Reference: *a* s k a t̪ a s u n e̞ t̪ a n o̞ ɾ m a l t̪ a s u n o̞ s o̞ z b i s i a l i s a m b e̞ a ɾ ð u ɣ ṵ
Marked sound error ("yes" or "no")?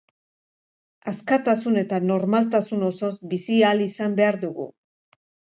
no